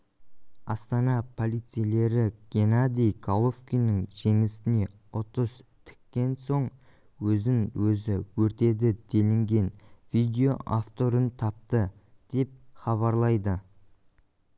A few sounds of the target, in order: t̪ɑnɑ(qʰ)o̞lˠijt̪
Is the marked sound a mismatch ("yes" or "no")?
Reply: yes